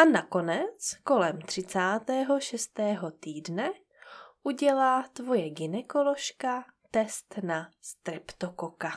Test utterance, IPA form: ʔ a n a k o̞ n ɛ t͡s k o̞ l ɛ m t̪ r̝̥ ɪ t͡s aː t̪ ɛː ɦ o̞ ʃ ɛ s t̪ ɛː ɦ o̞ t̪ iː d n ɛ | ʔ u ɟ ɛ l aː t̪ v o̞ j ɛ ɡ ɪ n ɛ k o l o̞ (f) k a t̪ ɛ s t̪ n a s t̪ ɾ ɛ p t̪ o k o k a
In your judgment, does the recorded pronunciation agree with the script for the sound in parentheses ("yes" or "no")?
no